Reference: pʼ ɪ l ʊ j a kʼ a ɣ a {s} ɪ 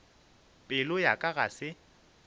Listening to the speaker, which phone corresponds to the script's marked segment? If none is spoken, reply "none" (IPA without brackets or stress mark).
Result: s